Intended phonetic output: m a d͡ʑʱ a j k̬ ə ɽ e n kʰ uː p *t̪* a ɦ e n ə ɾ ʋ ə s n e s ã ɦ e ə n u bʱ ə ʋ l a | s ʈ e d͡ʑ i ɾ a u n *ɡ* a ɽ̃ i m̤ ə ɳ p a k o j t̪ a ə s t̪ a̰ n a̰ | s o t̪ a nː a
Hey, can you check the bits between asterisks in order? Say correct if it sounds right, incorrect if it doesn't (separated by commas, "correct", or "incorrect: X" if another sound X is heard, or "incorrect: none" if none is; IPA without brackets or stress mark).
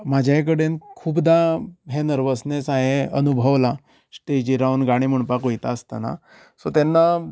incorrect: d̪, correct